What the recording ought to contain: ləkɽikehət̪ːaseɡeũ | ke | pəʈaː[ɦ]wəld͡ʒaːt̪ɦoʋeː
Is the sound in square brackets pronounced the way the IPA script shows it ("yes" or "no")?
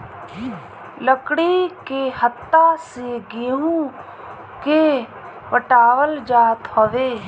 no